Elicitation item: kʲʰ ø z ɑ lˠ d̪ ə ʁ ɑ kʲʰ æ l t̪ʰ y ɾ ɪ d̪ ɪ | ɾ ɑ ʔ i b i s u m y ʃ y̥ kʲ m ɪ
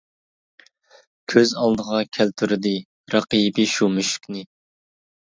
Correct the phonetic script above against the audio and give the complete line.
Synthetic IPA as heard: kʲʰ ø z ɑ lˠ d̪ ə ʁ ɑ kʲʰ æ l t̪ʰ y ɾ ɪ d̪ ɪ | ɾ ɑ q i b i ʃ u m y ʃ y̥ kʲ n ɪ